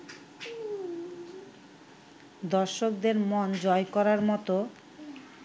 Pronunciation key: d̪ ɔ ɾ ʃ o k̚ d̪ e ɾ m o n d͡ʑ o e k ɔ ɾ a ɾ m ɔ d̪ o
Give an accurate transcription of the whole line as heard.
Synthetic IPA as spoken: d̪ ɔ ɾ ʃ o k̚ d̪ e ɾ m o n d͡ʑ ɔ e k ɔ ɾ a ɾ m ɔ t̪ o

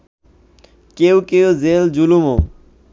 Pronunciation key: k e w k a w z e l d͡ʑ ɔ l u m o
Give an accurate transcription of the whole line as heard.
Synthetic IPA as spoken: k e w k e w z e l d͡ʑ u l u m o

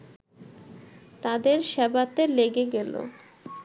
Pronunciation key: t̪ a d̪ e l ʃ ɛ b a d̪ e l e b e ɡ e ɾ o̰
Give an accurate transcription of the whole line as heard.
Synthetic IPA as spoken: t̪ a d̪ e ɾ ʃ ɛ b a t̪ e l e ɡ e ɡ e l o̰

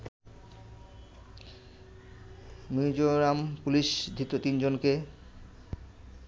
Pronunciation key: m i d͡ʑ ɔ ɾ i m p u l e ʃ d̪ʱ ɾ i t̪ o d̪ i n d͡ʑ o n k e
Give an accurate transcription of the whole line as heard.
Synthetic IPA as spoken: m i d͡ʑ o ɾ a m p u l i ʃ d̪ʱ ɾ i t̪ o t̪ i n d͡ʑ o n k e

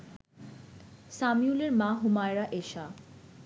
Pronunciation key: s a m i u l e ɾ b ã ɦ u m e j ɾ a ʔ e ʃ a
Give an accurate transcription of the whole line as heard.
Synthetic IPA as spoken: s a m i u l e ɾ m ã ɦ u m a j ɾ a ʔ e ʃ a

